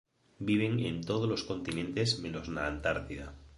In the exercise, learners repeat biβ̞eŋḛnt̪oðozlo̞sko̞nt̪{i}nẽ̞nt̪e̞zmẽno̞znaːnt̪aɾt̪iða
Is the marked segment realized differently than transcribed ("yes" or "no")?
no